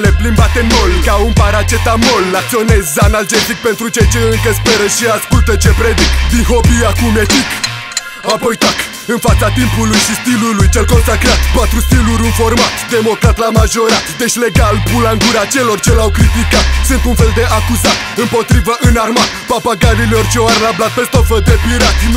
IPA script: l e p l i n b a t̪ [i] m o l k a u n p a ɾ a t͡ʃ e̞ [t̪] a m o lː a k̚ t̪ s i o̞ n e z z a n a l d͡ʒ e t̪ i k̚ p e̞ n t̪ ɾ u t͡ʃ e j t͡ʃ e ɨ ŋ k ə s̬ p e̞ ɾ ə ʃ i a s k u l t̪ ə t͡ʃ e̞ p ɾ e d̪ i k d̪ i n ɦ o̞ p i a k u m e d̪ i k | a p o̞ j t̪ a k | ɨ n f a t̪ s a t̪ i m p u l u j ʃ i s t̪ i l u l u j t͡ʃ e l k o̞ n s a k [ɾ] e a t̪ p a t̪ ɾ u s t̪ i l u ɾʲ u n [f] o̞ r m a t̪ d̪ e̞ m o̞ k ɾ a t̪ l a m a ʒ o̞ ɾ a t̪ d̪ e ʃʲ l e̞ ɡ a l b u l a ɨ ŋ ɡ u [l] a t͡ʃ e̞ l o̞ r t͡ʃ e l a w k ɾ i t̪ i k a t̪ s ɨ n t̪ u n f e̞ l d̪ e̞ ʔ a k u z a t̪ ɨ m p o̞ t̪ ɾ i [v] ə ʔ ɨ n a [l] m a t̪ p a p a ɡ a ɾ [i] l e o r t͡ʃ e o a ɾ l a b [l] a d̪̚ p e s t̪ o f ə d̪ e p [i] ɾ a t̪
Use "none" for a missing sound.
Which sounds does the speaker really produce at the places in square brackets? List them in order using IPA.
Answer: e, t̪, ɾ, f, ɾ, v, r, i, l, i

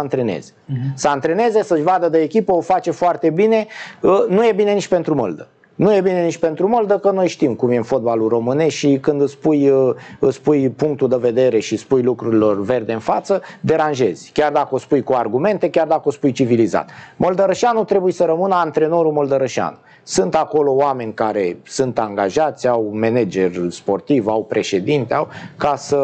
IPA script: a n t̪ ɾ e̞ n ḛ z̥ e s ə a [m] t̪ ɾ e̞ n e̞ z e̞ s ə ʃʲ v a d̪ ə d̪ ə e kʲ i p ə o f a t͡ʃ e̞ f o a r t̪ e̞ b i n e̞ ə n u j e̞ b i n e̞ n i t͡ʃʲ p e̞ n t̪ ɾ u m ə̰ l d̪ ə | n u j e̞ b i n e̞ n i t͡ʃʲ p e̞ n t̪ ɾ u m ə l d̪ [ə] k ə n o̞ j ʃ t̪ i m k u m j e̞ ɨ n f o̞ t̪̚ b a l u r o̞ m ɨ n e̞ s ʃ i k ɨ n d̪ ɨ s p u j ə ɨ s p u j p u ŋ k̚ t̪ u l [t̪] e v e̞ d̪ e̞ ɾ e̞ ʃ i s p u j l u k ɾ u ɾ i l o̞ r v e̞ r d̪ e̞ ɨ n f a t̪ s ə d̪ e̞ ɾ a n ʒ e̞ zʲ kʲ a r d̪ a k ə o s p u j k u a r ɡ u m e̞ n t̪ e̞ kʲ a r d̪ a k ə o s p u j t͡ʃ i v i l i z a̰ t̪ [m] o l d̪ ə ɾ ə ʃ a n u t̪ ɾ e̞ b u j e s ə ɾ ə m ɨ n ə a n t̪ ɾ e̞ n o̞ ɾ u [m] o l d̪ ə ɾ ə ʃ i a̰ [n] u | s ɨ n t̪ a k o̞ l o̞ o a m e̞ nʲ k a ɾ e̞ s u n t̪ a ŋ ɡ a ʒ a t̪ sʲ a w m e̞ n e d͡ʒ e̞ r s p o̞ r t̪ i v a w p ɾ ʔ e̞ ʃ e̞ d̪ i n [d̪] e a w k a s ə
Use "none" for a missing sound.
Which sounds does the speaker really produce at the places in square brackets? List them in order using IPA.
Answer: n, ə, d̪, m, m, n, t̪

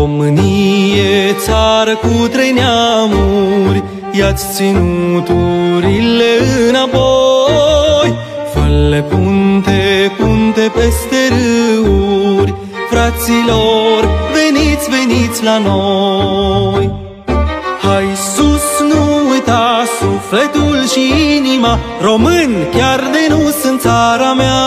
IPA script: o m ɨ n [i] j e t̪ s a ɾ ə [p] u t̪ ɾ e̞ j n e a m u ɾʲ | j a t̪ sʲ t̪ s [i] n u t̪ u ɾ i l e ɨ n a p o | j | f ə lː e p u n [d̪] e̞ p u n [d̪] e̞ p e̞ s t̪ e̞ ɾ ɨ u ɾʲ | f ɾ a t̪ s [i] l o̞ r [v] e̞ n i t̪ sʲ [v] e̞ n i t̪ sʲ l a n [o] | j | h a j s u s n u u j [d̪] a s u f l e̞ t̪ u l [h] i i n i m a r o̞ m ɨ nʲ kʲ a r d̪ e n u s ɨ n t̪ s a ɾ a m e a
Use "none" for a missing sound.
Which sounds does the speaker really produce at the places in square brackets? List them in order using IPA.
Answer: i, k, i, t̪, t̪, i, v, v, o, t̪, ʃ

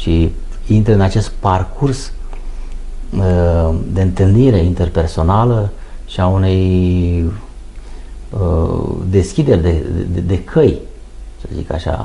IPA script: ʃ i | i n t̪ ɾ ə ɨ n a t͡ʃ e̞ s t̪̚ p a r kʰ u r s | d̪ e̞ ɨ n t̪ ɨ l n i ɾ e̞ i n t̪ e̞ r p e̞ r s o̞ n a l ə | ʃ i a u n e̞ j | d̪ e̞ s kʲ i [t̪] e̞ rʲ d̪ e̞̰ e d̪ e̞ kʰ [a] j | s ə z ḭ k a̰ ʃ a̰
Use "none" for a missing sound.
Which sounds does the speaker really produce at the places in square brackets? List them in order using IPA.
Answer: d̪, ə

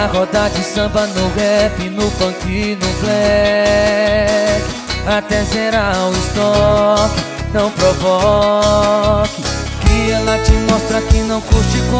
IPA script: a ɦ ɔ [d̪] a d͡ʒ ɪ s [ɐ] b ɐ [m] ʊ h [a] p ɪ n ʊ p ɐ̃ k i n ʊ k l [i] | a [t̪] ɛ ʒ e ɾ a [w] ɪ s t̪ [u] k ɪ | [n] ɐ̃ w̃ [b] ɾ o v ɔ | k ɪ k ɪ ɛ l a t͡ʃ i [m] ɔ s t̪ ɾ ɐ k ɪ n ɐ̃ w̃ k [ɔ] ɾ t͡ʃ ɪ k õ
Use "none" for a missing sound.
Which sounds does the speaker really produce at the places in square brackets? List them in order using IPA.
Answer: d̪, ɐ̃, n, ɛ, ɛ, t̪, w, ɔ, n, p, m, u

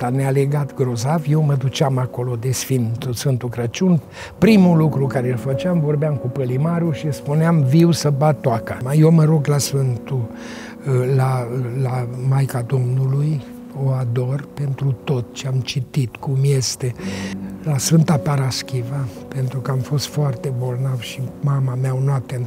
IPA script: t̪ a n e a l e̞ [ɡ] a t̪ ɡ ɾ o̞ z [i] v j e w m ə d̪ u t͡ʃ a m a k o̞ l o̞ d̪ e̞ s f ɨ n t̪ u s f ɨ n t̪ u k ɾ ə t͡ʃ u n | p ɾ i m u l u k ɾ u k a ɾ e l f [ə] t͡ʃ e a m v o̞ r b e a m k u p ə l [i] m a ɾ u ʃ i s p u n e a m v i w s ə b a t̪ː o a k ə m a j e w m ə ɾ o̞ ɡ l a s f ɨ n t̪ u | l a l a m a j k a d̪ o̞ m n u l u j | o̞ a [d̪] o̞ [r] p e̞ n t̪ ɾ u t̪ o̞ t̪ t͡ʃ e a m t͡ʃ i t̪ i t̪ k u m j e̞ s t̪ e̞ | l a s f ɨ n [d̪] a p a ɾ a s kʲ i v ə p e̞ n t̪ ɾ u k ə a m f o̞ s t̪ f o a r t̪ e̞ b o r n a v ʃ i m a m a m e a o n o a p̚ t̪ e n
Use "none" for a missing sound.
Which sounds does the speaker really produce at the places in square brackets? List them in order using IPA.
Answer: ɡ, a, ə, i, d̪, r, t̪

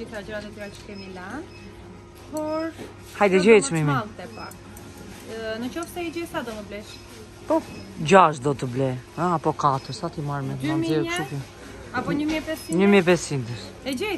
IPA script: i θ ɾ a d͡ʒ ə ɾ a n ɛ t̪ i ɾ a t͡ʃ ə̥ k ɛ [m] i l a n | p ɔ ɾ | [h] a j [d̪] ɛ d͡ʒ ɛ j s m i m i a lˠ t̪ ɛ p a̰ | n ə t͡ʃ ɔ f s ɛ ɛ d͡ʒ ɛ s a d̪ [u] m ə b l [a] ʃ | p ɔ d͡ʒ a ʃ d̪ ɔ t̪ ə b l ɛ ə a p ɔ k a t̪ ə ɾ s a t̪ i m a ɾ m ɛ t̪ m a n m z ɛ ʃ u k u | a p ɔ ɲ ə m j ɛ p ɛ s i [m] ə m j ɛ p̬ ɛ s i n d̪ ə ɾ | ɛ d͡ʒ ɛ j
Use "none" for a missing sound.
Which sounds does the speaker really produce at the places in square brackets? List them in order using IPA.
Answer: m, h, d̪, ɔ, ɛ, ɲ

